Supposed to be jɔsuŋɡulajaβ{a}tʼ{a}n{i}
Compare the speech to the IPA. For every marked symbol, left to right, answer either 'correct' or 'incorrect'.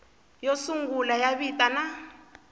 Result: incorrect: i, correct, incorrect: a

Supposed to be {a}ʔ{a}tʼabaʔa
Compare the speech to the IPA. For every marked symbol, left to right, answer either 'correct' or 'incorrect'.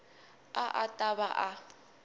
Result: correct, correct

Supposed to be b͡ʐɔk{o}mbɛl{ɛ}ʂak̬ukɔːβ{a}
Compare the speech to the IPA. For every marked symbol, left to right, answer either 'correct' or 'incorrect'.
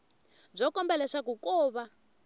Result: incorrect: ɔ, correct, correct

